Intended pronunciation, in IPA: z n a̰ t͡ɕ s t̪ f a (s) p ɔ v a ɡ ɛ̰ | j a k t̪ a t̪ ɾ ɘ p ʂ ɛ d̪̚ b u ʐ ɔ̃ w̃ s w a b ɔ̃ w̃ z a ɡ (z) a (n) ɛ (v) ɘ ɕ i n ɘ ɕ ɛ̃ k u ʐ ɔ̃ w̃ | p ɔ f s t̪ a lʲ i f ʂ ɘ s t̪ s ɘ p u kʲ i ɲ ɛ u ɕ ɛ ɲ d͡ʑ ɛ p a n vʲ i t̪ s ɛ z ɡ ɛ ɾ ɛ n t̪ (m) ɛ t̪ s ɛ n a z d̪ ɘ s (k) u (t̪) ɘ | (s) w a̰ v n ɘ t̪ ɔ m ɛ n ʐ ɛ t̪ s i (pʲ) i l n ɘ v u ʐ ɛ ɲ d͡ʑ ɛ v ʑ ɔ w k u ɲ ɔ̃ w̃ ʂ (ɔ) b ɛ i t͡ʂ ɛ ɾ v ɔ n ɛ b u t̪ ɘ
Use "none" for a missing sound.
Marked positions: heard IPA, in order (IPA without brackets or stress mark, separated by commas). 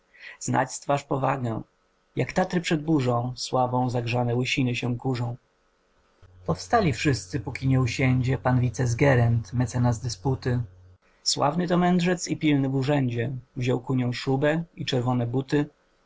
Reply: ʂ, ʐ, n, w, m, p, t̪, s, pʲ, u